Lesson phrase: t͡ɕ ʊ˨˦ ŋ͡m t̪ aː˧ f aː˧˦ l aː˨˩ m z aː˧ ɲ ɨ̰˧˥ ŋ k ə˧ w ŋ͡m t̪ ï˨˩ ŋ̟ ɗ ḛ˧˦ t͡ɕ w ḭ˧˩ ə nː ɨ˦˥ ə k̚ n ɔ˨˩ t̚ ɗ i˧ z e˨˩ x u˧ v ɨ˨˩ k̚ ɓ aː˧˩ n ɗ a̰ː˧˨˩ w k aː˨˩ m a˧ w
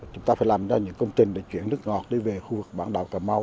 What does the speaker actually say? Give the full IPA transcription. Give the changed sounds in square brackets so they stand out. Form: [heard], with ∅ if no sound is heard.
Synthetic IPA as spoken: t͡ɕ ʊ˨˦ ŋ͡m t̪ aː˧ f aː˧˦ l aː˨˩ m z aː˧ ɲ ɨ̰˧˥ ŋ k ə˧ w ŋ͡m t̪ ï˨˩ ŋ̟ ɗ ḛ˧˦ t͡ɕ w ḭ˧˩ ə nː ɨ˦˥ ə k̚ [ŋ] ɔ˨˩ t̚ ɗ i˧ [v] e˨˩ x u˧ v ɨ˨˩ k̚ ɓ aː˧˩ n ɗ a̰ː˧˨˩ w k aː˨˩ m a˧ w

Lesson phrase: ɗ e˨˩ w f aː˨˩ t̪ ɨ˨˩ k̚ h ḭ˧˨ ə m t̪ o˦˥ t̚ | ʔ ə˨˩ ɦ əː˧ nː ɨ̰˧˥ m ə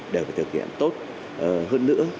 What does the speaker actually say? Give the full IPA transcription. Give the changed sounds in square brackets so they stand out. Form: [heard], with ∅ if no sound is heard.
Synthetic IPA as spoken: ɗ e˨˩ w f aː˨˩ t̪ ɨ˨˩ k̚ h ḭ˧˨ ə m t̪ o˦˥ t̚ | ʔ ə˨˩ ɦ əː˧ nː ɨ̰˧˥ [∅] ə

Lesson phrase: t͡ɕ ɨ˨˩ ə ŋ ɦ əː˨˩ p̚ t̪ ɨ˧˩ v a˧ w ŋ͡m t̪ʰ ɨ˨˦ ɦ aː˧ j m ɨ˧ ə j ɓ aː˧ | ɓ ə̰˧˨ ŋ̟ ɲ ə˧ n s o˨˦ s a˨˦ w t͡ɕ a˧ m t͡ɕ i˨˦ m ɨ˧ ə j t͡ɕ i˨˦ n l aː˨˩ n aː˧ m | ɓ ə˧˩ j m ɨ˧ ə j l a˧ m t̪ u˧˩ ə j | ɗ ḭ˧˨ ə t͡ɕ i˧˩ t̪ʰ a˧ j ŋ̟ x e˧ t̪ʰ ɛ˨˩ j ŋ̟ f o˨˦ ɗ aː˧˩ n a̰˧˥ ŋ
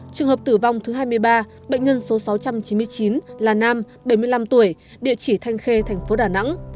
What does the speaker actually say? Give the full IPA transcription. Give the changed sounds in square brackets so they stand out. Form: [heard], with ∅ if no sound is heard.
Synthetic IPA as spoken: t͡ɕ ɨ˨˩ ə ŋ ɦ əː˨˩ p̚ t̪ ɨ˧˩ v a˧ w ŋ͡m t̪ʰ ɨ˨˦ ɦ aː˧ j m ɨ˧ ə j ɓ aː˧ | ɓ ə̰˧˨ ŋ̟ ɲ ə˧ n s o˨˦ s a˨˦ w t͡ɕ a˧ m t͡ɕ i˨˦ m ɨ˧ ə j t͡ɕ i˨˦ n l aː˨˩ n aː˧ m | ɓ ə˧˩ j m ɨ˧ ə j l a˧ m t̪ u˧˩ ə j | ɗ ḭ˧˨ ə t͡ɕ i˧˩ t̪ʰ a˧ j ŋ̟ x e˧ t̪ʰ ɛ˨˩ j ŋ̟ f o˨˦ ɗ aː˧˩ n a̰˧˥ ŋ

